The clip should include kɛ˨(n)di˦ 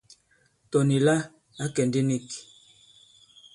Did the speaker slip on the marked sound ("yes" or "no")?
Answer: no